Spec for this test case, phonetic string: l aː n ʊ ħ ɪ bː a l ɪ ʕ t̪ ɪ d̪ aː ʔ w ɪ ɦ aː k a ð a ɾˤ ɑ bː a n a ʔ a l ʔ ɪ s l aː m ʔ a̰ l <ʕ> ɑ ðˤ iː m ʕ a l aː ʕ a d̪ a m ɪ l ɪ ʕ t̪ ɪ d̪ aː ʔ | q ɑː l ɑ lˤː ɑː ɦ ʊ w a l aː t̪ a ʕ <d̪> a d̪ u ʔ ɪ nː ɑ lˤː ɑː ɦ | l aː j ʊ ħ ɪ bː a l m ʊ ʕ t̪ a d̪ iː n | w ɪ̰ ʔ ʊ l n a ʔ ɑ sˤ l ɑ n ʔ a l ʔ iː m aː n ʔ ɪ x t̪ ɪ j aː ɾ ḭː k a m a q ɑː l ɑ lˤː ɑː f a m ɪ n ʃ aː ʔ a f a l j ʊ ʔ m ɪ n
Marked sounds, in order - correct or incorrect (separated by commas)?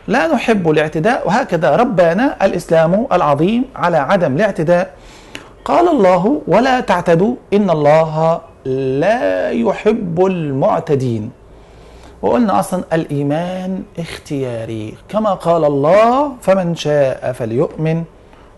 correct, incorrect